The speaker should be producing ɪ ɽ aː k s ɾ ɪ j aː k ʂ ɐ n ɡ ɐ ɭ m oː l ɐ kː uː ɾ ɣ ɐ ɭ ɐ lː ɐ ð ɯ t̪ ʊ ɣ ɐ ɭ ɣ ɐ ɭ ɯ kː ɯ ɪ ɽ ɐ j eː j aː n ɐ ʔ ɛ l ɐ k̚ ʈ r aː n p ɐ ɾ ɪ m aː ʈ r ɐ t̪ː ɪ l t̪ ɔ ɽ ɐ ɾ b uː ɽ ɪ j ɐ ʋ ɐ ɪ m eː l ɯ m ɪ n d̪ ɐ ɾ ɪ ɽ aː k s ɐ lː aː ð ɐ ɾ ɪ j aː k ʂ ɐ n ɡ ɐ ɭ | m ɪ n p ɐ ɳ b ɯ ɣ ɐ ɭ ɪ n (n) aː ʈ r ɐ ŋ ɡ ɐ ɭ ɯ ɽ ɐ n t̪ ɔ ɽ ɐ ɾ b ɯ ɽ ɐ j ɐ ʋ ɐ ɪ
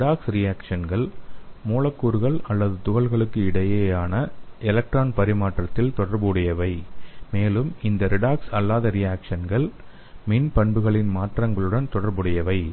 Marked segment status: incorrect: m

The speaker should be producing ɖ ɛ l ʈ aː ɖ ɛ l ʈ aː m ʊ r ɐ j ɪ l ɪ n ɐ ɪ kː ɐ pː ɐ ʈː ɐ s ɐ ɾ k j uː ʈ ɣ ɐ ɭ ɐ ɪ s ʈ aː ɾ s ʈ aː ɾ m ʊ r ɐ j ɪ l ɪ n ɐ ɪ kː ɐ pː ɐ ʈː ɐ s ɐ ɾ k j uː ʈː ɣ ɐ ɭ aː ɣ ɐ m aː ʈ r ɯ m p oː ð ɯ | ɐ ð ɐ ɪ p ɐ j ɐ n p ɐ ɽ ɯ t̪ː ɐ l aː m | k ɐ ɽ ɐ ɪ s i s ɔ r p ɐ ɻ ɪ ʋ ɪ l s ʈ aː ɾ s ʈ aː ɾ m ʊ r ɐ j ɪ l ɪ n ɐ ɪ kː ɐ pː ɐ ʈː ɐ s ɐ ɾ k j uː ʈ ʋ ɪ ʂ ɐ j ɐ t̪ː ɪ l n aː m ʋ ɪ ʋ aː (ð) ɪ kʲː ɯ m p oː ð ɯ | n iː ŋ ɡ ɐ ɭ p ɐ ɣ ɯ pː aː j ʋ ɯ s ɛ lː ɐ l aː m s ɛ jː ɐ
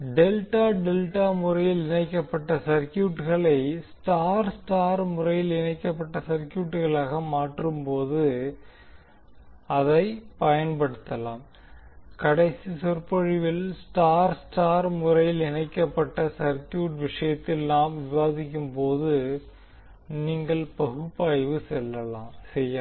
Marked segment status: correct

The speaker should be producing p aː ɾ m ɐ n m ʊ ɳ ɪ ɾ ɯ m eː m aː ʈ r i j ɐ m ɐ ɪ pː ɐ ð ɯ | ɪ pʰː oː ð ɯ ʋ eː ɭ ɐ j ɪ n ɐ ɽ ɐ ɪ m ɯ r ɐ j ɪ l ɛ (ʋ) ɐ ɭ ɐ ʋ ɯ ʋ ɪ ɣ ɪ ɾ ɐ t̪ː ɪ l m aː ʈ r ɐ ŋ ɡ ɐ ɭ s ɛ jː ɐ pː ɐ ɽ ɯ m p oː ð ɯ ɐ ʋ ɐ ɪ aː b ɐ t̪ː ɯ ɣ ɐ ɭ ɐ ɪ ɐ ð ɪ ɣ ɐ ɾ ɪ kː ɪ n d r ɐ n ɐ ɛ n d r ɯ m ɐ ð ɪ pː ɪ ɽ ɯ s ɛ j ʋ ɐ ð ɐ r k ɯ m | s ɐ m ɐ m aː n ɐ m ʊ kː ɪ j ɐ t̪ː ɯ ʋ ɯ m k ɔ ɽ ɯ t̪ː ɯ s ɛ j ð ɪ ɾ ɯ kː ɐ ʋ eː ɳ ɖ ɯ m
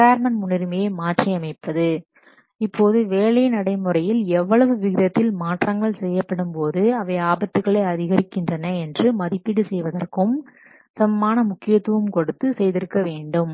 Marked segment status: incorrect: ʋː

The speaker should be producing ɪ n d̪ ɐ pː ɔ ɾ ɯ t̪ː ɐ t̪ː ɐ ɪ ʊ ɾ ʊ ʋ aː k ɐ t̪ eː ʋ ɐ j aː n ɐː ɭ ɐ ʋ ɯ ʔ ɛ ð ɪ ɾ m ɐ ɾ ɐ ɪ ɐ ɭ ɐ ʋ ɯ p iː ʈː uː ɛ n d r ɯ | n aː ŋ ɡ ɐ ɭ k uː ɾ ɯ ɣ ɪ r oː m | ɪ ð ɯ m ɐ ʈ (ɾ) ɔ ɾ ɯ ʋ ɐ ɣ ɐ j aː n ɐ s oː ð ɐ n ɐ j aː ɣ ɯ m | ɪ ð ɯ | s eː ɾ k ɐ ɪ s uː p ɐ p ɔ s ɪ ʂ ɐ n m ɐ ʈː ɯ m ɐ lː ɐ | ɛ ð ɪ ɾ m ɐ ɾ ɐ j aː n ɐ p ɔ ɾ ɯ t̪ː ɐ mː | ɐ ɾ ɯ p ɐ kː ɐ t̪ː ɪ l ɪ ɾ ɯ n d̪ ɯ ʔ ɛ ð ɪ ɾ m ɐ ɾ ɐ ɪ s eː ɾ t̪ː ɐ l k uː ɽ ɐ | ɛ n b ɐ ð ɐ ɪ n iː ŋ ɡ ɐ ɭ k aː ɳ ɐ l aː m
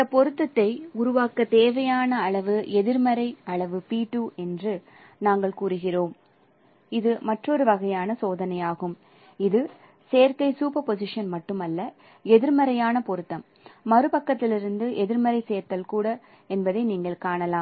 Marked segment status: incorrect: r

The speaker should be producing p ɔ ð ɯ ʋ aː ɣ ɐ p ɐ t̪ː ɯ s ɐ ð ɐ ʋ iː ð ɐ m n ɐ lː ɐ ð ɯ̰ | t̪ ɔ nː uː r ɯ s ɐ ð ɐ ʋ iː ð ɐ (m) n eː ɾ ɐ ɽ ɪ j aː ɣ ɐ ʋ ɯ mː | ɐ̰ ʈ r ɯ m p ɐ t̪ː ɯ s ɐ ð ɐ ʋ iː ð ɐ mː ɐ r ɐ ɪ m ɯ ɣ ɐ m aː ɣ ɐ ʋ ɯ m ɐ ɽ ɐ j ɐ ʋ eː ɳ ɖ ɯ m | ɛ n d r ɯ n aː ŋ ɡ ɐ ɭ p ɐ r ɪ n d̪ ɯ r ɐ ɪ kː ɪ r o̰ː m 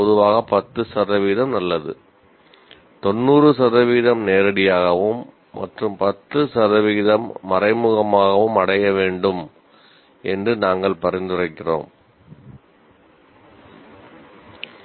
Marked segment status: correct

